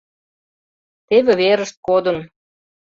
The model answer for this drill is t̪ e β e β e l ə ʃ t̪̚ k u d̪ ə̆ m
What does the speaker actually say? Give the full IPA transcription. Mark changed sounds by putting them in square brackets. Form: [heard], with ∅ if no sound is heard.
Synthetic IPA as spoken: t̪ e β e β e [ɾ] ə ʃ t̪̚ k [o] d̪ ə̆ [n]